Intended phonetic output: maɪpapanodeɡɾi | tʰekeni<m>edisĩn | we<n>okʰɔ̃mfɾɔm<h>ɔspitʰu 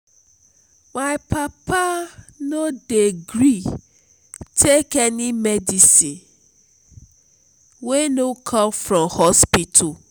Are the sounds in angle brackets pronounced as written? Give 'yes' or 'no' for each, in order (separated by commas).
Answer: yes, yes, yes